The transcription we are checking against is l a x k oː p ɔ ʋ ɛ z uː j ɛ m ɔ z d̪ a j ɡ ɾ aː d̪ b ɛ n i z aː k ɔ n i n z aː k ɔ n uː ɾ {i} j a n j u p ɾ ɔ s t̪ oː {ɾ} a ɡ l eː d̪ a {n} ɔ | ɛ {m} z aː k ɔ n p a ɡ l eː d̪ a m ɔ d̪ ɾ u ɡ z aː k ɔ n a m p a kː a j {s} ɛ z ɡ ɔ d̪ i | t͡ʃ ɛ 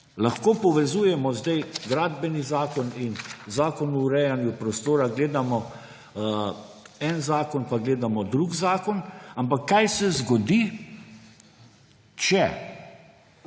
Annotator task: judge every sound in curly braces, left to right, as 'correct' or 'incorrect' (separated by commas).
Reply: incorrect, correct, incorrect, incorrect, correct